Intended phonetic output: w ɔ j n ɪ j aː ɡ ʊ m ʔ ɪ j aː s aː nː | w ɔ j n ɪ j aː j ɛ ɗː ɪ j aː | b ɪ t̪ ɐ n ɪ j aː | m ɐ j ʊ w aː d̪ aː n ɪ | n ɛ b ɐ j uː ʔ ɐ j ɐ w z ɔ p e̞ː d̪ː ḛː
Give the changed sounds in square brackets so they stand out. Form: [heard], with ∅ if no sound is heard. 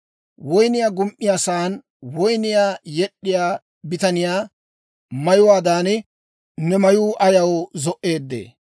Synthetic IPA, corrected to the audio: w ɔ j n ɪ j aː ɡ ʊ m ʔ ɪ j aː s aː [n] | w ɔ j n ɪ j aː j ɛ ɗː ɪ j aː | b ɪ t̪ ɐ n ɪ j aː | m ɐ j ʊ w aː d̪ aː n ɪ | n ɛ [m] ɐ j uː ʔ ɐ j ɐ w z ɔ [ʔ] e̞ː d̪ː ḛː